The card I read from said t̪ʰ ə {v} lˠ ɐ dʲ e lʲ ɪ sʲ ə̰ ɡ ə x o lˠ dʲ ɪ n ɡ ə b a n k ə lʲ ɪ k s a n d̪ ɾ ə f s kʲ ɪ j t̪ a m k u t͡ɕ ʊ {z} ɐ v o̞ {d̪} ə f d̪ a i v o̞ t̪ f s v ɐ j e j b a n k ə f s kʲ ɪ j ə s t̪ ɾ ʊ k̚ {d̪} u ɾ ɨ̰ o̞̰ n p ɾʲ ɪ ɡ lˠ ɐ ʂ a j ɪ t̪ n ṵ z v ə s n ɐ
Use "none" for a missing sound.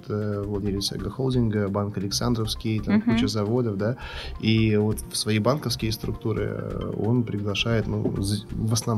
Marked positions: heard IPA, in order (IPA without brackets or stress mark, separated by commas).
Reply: v, z, d̪, t̪